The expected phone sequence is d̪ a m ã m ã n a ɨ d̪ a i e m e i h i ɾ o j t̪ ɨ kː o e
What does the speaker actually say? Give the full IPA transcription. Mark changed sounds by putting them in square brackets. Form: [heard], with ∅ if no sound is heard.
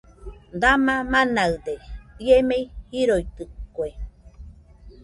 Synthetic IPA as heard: d̪ a m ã m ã n a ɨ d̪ [e] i e m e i h i ɾ o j t̪ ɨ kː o e